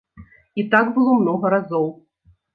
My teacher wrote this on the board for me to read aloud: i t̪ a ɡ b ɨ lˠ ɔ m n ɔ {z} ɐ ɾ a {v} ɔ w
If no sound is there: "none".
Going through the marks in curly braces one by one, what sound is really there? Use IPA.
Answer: ɣ, z

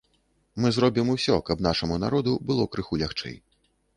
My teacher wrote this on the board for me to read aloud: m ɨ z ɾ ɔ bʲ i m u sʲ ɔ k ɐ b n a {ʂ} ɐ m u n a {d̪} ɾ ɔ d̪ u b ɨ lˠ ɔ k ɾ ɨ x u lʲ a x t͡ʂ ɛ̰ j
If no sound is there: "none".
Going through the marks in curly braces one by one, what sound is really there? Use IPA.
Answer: ʂ, none

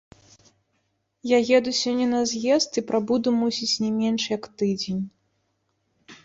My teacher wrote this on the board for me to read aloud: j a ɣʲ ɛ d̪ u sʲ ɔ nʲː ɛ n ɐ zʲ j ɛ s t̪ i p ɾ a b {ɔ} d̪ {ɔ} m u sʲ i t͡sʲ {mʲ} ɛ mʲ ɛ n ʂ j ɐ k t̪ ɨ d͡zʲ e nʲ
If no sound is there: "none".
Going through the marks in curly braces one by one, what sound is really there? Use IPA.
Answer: u, u, nʲ

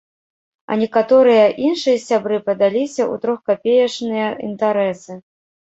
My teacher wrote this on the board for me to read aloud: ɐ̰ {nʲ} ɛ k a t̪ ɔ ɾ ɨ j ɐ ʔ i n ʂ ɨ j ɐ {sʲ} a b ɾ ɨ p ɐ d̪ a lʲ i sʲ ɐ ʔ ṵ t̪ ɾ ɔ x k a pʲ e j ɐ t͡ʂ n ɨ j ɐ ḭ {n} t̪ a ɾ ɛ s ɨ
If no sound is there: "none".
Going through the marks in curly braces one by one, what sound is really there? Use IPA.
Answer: nʲ, sʲ, n

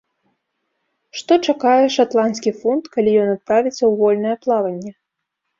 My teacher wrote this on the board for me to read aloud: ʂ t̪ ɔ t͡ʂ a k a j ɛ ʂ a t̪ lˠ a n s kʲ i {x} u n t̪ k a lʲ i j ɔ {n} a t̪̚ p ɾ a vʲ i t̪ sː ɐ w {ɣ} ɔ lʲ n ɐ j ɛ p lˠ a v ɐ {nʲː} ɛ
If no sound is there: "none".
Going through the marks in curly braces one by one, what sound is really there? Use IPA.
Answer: f, n, v, nʲː

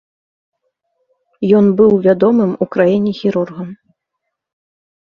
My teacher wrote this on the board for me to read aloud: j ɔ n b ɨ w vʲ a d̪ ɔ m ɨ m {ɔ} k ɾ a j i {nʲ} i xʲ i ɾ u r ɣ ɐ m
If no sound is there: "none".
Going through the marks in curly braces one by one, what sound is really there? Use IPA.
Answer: u, nʲ

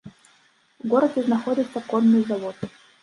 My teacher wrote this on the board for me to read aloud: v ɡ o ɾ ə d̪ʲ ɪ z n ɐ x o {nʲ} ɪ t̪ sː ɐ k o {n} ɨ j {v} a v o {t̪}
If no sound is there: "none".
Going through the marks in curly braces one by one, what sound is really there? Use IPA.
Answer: dʲ, nː, z, t̪

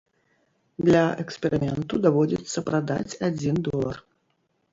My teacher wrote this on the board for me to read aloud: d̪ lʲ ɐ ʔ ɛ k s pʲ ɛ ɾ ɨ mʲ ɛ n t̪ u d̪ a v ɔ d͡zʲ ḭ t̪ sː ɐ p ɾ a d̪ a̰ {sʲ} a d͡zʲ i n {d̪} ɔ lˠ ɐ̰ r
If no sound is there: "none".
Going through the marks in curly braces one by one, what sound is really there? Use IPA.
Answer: t͡sʲ, d̪

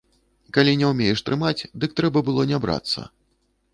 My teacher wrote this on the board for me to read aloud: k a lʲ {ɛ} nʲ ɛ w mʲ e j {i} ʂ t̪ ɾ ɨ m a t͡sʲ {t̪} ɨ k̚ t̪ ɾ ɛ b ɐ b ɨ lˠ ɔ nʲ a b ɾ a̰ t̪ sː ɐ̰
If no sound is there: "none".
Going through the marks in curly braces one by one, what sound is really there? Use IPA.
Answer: i, ɛ, d̪

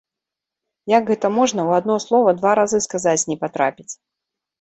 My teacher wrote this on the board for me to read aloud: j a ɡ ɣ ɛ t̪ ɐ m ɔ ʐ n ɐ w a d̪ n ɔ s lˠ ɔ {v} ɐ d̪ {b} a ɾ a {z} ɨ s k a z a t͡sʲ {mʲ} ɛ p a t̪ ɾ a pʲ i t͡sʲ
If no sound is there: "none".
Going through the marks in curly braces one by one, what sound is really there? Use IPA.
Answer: v, v, z, nʲ

